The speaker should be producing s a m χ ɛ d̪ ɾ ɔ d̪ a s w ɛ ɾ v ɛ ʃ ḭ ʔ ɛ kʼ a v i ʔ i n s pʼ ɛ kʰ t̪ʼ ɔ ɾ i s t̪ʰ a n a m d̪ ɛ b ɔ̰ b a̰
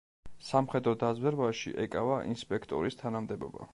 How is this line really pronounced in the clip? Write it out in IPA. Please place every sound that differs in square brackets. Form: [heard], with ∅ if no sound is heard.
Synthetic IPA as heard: s a m χ ɛ d̪ ɾ ɔ d̪ a [z] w ɛ ɾ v [a] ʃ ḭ ʔ ɛ kʼ a v [a] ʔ i n s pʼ ɛ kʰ t̪ʼ ɔ ɾ i s t̪ʰ a n a m d̪ ɛ b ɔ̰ b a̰